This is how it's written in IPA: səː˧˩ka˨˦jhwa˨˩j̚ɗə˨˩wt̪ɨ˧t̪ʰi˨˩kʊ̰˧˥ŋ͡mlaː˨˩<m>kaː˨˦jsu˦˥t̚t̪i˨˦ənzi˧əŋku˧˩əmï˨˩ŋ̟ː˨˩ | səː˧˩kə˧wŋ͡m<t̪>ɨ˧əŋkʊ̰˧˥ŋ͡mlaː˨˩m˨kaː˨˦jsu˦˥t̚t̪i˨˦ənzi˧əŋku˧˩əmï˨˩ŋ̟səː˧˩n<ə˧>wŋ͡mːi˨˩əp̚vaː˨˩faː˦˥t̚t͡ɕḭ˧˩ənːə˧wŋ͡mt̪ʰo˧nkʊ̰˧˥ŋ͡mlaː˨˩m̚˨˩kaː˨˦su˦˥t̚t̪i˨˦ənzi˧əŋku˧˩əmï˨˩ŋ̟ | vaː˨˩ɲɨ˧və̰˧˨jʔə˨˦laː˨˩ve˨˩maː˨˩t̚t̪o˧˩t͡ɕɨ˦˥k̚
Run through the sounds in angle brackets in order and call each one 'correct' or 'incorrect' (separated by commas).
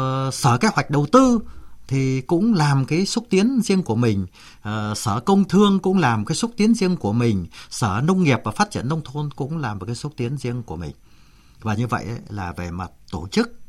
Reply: correct, incorrect, correct